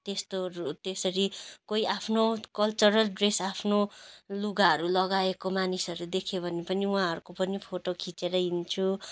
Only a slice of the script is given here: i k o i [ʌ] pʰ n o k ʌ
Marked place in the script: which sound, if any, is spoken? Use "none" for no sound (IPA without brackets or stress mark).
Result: a